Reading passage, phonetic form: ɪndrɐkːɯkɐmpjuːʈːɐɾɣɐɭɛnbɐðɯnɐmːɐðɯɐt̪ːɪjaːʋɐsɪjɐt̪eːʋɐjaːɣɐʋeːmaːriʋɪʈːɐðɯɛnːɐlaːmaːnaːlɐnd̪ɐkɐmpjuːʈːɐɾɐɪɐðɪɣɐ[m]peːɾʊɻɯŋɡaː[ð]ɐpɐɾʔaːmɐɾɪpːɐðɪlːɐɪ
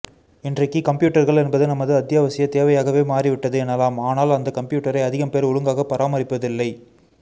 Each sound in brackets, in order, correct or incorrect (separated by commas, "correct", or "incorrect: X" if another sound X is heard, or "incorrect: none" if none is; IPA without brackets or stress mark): correct, incorrect: ɣ